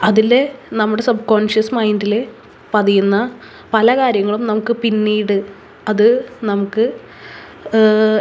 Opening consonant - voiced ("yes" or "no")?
yes